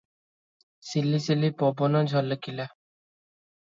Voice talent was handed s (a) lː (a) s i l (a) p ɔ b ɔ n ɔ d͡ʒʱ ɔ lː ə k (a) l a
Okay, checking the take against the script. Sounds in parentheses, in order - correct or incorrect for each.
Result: incorrect: i, incorrect: i, incorrect: i, incorrect: i

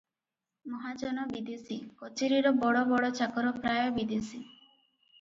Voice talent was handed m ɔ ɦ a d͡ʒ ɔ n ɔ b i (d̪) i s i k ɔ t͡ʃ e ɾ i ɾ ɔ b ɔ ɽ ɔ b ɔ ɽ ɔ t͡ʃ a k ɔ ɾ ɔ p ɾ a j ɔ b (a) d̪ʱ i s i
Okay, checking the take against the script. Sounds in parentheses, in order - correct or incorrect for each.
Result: correct, incorrect: i

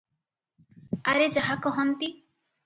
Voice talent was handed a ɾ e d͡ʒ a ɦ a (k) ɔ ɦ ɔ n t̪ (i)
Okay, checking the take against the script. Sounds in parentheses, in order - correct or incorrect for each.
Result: correct, correct

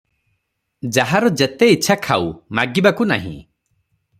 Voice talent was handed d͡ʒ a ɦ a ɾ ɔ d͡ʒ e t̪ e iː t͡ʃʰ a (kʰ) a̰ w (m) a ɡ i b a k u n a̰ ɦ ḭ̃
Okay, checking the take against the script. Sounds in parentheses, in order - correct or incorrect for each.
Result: correct, correct

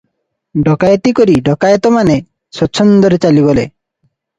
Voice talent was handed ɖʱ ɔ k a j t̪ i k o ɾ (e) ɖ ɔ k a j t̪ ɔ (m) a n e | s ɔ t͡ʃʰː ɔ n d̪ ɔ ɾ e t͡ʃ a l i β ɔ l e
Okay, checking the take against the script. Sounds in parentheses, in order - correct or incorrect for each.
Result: incorrect: i, correct

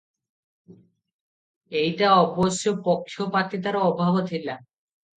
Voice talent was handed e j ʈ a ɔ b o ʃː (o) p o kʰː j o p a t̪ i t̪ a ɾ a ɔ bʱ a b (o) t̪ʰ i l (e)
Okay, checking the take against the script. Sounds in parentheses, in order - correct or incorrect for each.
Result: correct, correct, incorrect: a

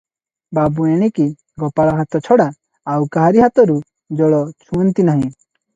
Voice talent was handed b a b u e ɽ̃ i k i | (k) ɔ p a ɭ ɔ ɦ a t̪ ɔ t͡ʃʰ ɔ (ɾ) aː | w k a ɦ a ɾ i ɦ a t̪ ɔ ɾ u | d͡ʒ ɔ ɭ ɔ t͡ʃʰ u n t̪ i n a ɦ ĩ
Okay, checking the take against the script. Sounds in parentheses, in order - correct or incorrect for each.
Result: incorrect: ɡ, incorrect: ɽ

